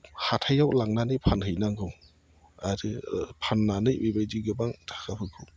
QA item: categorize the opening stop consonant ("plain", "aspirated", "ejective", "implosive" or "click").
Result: aspirated